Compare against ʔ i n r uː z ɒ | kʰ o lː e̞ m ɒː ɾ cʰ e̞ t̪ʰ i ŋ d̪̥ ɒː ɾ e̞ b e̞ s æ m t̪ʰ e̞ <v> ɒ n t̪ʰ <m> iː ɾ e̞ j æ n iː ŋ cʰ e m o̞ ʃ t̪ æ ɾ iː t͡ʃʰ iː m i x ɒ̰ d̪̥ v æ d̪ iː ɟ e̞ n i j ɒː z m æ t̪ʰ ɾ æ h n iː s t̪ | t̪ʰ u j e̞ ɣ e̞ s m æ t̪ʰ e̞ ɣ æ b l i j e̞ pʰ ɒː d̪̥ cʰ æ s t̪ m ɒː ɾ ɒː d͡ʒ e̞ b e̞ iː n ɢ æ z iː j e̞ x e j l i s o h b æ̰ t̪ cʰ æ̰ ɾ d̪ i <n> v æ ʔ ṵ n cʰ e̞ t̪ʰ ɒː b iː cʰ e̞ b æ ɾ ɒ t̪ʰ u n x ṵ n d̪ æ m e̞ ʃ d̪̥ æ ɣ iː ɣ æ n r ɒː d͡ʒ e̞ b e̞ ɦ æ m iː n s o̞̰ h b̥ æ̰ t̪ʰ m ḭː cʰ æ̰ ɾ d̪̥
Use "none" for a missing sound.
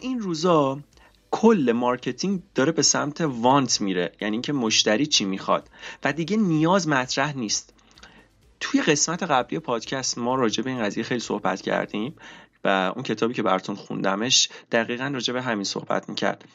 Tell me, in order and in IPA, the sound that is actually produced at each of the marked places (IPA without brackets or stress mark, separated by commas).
v, m, m